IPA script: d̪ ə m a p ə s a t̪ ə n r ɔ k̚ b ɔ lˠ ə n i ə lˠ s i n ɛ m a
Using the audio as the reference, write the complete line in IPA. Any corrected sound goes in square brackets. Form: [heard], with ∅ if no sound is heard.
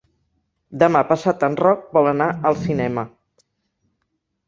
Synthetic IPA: d̪ ə m a p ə s a t̪ ə n r ɔ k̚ b ɔ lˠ ə n [a] ə lˠ s i n ɛ m [ə]